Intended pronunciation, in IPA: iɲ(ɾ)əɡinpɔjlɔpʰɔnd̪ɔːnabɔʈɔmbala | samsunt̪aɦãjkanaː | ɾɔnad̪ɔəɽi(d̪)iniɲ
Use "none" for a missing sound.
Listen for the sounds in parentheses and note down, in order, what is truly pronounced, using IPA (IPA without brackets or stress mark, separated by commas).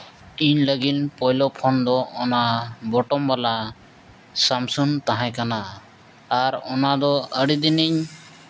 l, d̪